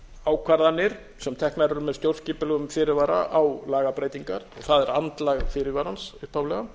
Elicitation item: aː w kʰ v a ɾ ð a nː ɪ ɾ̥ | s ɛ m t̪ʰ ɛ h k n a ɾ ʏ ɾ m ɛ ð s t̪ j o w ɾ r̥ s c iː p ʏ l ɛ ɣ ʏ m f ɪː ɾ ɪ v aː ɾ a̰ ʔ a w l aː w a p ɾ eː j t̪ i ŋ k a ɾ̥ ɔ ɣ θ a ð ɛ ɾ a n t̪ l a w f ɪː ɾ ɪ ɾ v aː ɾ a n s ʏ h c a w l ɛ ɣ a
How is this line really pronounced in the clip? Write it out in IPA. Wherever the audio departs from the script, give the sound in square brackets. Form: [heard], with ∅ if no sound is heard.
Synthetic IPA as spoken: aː w kʰ v a ɾ ð a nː ɪ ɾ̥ | s ɛ m t̪ʰ ɛ h k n a ɾ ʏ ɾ m ɛ ð s t̪ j o w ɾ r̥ s c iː p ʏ l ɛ ɣ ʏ m f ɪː ɾ ɪ v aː ɾ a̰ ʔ a w l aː [ɣ] a p ɾ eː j t̪ i ŋ k a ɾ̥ ɔ ɣ θ a ð ɛ ɾ a n t̪ l a [ɣ] f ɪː ɾ ɪ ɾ v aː ɾ a n s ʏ h [p] a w l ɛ ɣ a